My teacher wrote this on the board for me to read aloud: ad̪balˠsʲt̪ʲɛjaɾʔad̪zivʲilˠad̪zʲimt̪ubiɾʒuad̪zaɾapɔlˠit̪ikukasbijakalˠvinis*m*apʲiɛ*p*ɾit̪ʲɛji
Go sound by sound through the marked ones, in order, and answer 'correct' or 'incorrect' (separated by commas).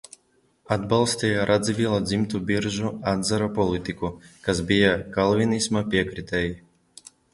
correct, incorrect